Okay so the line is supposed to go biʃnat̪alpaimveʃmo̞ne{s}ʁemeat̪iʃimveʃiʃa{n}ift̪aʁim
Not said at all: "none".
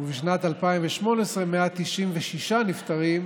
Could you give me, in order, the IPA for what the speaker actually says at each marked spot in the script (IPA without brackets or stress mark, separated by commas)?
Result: s, n